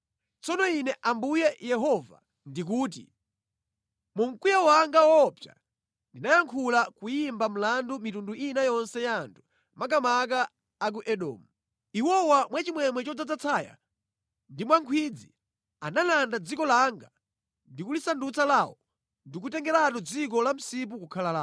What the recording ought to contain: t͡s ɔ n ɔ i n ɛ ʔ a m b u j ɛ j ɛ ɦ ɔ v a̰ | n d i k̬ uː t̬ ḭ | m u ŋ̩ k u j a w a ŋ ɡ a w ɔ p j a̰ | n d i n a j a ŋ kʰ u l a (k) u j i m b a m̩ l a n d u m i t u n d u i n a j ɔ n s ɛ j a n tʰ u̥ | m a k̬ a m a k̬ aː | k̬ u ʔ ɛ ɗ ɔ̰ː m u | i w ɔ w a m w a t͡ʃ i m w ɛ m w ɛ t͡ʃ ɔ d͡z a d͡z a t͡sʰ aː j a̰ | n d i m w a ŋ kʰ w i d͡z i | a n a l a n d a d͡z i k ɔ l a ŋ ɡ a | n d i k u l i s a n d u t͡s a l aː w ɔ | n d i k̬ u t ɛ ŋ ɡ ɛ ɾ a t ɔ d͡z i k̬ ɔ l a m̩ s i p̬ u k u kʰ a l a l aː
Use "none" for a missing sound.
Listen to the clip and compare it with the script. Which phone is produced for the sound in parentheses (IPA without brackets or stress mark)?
k